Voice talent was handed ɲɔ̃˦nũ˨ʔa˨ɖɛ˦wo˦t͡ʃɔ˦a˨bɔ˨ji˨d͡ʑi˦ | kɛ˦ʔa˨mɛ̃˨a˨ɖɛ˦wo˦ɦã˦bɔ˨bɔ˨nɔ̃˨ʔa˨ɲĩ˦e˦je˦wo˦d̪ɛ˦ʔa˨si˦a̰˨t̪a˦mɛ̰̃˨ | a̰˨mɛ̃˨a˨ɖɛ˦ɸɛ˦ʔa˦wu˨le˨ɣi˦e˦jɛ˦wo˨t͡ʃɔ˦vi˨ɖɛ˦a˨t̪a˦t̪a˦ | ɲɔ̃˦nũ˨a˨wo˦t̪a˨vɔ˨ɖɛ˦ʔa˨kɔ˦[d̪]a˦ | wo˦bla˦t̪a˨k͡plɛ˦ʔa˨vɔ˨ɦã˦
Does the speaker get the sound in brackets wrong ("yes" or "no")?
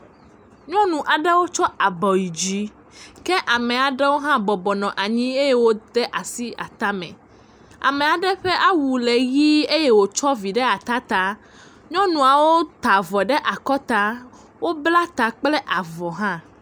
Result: yes